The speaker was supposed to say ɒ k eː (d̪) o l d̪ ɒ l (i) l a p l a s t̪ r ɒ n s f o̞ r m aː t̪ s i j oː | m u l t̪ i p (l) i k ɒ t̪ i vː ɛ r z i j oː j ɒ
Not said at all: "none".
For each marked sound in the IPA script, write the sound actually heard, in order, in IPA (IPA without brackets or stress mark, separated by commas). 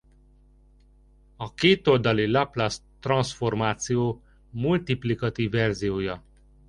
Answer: t̪, i, l